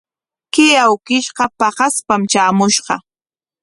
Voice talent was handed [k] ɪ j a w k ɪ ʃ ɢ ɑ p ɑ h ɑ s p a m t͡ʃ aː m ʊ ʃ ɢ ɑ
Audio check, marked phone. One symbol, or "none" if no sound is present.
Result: k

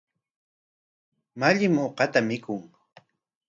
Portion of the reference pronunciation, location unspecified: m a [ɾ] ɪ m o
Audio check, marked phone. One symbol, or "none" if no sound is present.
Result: ʎ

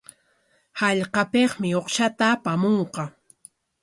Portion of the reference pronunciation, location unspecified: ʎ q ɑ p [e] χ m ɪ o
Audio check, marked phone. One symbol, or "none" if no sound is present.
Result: e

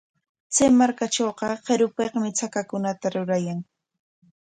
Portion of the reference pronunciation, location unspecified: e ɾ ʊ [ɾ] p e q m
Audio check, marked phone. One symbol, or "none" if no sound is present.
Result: none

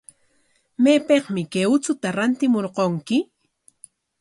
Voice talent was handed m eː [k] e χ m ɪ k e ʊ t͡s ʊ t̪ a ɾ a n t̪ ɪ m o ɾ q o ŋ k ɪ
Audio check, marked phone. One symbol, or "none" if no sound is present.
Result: p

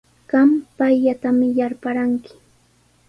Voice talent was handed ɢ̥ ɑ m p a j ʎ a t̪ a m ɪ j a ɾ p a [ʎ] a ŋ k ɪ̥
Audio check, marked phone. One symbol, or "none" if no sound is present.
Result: ɾ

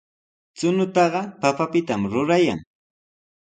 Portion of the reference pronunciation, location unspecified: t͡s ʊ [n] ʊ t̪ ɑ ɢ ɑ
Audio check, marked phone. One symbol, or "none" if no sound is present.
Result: n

